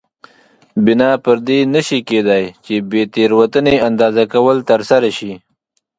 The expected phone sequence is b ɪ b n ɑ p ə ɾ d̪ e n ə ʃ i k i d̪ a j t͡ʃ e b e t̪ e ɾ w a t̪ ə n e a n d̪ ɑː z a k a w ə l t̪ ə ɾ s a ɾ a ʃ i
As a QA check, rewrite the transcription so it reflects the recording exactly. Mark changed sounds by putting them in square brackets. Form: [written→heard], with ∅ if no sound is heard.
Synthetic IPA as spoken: b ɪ [b→∅] n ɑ p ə ɾ d̪ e n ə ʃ i k [i→e] d̪ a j t͡ʃ e b e t̪ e ɾ w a t̪ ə n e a n d̪ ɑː z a k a w ə l t̪ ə ɾ s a ɾ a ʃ i